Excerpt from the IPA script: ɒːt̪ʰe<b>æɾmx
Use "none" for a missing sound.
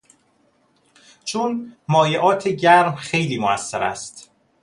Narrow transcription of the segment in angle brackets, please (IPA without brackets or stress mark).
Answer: ɟ